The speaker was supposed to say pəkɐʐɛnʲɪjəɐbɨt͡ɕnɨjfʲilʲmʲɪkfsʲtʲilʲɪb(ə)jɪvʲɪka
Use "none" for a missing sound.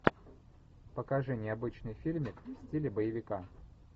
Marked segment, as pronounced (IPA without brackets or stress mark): ə